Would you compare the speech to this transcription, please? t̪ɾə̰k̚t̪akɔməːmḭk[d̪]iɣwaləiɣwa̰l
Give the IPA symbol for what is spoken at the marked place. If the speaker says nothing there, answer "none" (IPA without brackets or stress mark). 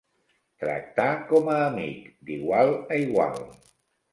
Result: d̪